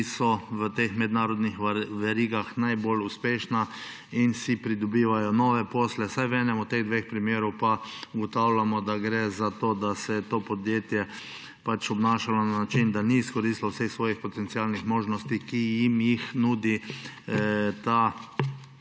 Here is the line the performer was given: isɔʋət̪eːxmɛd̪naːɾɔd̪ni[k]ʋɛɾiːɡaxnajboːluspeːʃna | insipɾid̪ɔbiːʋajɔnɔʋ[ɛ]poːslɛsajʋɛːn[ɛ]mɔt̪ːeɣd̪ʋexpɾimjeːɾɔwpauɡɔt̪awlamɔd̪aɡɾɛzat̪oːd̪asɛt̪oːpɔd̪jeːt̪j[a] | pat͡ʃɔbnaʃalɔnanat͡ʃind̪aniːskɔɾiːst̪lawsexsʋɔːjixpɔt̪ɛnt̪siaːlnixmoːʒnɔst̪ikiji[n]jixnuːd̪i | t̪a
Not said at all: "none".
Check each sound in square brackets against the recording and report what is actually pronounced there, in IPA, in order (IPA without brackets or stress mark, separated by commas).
x, ɛ, ɛ, ɛ, m